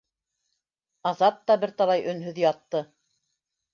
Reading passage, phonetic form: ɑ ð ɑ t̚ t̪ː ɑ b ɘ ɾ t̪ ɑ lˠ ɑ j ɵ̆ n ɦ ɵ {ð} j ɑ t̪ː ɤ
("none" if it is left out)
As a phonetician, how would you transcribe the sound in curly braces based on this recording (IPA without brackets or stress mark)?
ð